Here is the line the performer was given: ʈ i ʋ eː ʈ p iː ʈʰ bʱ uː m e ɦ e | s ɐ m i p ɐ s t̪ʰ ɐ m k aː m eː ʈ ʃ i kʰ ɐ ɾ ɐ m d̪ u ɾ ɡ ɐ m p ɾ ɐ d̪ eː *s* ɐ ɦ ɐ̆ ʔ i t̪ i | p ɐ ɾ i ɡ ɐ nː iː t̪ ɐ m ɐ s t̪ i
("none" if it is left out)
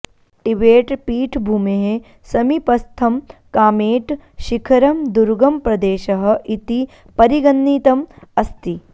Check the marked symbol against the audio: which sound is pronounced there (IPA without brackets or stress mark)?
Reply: ʃ